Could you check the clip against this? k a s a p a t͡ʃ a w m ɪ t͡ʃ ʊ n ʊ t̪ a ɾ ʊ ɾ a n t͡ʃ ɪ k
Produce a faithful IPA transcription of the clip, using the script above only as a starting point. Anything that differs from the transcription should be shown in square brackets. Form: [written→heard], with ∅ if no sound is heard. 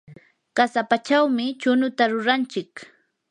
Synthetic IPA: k a s a p a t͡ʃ a w m ɪ t͡ʃ ʊ n ʊ t̪ a ɾ ʊ ɾ a n t͡ʃ ɪ k